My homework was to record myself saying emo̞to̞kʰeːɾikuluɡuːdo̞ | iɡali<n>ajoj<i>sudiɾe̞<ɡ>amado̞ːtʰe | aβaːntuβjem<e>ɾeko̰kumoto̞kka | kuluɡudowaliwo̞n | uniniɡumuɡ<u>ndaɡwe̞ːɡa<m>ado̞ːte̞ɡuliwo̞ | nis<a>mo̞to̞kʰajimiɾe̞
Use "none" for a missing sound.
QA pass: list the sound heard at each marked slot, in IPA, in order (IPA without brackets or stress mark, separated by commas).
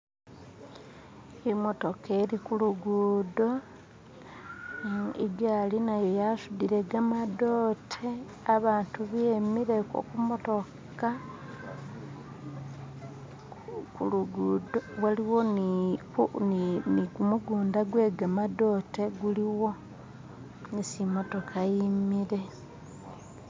n, a, ɡ, i, uː, m, i